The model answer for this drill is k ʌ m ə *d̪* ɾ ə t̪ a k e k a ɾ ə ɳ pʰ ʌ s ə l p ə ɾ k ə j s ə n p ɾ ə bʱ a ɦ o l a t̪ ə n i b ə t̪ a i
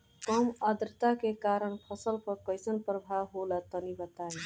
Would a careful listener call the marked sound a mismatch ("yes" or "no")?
no